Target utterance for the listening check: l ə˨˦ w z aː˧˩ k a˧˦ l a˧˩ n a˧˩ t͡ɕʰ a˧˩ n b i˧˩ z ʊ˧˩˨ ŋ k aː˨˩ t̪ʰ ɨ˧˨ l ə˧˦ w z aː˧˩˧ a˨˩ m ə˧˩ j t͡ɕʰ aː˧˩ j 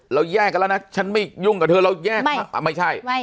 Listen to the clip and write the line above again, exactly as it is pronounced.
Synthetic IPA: l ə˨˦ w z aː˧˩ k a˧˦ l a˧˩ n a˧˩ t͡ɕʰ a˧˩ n m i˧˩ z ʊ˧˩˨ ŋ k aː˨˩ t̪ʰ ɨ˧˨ l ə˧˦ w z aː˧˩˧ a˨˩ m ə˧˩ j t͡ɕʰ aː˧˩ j